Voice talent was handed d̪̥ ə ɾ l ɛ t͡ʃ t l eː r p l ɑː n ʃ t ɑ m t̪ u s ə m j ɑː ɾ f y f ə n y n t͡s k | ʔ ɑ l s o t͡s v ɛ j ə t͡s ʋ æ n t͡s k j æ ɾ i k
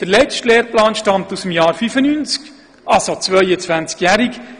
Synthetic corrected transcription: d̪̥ ə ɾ l ɛ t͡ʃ t l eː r p l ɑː n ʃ t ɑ m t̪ u s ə m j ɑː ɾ f y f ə n y n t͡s k | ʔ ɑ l s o t͡s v œ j ə t͡s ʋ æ n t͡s k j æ ɾ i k